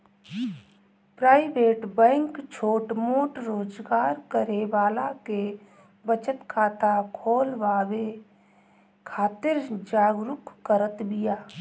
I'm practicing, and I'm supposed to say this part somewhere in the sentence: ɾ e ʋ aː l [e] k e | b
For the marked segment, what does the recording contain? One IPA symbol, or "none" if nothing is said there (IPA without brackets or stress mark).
a